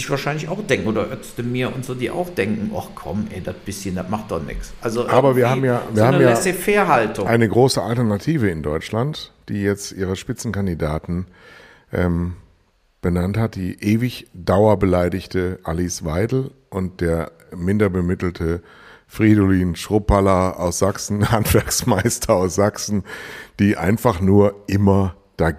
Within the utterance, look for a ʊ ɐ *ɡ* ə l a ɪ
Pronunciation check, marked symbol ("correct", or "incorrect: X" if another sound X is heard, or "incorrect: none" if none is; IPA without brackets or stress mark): incorrect: b